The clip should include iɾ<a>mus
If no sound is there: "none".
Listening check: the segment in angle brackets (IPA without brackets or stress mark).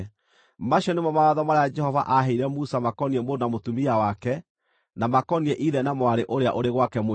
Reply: ɛ